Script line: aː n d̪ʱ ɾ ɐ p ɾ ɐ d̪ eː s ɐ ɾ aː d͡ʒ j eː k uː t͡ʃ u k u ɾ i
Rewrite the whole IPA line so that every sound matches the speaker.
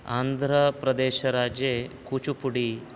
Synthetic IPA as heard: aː n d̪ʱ ɾ ɐ p ɾ ɐ d̪ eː ʃ ɐ ɾ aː d͡ʒ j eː k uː t͡ʃ u p u ɽ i